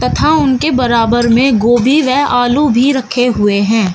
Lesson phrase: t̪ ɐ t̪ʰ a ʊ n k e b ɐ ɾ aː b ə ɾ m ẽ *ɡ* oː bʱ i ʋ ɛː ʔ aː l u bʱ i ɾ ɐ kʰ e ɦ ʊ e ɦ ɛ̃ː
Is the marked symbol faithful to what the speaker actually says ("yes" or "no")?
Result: yes